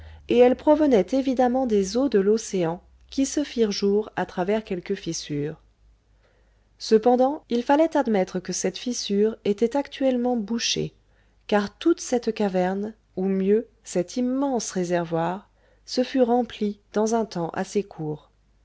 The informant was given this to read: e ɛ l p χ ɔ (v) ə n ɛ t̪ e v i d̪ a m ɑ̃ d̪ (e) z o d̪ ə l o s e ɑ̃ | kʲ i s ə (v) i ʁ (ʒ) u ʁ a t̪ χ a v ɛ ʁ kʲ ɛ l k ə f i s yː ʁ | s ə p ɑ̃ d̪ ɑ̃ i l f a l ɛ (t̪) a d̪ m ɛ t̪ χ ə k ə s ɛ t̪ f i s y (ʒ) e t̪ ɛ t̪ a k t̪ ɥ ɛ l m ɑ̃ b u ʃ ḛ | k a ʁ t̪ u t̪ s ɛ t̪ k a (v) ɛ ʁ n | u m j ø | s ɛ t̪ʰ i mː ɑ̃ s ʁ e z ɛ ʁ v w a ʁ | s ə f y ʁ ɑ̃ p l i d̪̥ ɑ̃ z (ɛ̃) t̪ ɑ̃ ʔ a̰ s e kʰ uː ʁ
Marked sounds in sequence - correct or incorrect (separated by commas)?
correct, correct, incorrect, correct, correct, incorrect, correct, correct